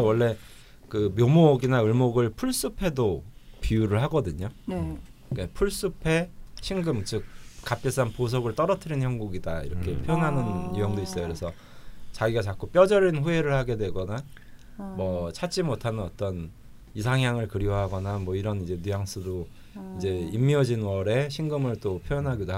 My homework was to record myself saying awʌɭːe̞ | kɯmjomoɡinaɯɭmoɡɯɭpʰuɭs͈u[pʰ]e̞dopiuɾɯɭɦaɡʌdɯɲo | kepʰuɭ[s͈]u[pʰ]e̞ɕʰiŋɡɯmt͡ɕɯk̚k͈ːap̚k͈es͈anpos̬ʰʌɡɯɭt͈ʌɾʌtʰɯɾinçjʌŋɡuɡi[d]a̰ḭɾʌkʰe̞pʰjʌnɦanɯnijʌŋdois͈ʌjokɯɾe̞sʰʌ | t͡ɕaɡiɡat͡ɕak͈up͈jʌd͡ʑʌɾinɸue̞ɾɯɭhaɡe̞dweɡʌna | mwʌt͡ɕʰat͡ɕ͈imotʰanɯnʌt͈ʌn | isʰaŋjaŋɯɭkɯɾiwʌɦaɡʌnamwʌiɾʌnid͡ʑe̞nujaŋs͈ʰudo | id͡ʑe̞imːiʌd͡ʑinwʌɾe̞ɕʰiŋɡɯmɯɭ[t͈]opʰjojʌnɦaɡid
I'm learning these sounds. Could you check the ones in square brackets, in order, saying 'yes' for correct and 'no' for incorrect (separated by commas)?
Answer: yes, yes, yes, yes, yes